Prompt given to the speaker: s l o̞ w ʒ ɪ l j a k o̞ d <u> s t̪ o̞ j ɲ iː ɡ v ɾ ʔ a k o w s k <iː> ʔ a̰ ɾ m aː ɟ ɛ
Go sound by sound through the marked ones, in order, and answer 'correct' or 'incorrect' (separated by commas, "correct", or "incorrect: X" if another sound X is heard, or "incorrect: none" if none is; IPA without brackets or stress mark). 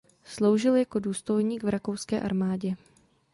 incorrect: uː, incorrect: ɛː